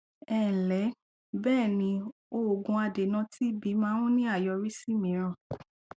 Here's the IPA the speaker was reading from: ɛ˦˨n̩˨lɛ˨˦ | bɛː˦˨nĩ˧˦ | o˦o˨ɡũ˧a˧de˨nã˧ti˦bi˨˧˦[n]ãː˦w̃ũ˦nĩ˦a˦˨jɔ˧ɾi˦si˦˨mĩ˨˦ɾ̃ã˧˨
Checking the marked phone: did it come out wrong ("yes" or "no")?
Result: yes